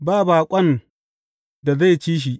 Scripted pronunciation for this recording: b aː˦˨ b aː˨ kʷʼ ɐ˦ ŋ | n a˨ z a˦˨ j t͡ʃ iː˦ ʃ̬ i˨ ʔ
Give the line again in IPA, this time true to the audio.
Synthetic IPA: b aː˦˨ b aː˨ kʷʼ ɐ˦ n | d a˨ z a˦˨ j t͡ʃ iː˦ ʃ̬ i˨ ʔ